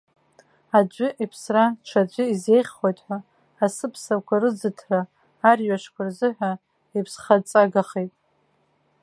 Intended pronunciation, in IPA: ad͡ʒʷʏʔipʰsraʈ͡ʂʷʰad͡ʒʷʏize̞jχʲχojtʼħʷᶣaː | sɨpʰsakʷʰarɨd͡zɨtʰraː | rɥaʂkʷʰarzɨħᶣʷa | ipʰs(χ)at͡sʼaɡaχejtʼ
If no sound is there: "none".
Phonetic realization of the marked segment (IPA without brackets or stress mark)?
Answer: χ